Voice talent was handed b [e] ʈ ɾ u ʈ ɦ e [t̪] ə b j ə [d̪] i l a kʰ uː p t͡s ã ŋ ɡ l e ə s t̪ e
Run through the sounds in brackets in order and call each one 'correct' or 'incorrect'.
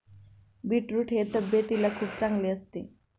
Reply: incorrect: i, correct, incorrect: t̪

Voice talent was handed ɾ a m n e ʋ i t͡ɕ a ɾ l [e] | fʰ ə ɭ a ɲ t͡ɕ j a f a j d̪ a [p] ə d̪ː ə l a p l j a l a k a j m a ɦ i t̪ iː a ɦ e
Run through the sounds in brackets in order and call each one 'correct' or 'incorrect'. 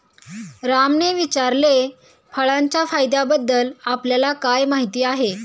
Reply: correct, incorrect: b

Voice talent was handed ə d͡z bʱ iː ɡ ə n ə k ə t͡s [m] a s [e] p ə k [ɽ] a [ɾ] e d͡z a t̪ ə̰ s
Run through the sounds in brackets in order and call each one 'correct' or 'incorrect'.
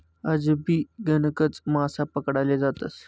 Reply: correct, incorrect: a, correct, incorrect: l

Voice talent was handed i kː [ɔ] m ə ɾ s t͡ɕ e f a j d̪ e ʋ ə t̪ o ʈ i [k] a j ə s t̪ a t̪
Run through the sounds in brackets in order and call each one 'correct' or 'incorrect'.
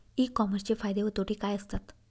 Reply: correct, correct

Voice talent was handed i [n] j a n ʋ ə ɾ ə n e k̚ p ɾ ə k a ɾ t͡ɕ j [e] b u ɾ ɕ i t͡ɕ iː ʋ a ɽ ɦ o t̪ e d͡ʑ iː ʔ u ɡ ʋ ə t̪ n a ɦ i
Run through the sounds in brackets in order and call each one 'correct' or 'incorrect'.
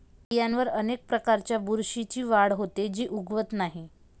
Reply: incorrect: none, incorrect: a

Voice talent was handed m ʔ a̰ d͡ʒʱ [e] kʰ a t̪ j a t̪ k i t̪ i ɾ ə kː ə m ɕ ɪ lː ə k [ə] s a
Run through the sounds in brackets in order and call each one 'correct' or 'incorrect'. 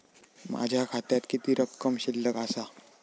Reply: incorrect: a, incorrect: a

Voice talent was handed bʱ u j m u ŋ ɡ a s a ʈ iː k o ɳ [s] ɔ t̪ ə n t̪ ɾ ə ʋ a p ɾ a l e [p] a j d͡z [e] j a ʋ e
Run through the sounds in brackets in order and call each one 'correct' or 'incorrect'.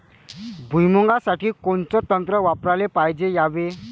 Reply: incorrect: t͡s, correct, correct

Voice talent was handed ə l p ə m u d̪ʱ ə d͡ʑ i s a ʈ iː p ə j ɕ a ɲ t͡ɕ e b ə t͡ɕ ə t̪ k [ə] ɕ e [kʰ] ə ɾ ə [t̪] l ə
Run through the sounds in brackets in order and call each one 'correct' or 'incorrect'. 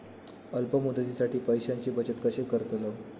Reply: correct, incorrect: k, correct

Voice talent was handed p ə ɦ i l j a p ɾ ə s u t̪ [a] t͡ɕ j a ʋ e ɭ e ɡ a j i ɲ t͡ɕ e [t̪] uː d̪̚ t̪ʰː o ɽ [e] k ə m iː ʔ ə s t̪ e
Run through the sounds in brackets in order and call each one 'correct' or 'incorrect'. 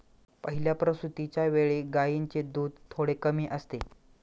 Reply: incorrect: i, incorrect: d̪, correct

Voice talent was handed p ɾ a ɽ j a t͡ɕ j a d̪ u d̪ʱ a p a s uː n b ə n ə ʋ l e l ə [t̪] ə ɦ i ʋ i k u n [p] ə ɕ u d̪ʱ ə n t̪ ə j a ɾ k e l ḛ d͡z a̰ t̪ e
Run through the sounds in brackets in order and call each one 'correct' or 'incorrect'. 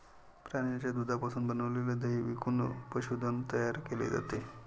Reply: incorrect: d̪, correct

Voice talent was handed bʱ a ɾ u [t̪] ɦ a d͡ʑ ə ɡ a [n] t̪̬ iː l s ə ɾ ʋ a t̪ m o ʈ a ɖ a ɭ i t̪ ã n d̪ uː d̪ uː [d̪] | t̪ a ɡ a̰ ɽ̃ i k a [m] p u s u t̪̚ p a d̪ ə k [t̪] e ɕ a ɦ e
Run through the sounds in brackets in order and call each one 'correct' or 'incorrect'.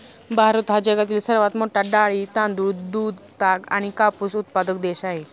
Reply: correct, incorrect: none, correct, incorrect: none, incorrect: d̪

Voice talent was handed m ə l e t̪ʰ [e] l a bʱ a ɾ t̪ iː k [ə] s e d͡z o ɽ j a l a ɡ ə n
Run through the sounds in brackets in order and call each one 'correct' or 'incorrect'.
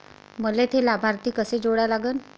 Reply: correct, correct

